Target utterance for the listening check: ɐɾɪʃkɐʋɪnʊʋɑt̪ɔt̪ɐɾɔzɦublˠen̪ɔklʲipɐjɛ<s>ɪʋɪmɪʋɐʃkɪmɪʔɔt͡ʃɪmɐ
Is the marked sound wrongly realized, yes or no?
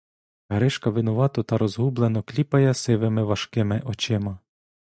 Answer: no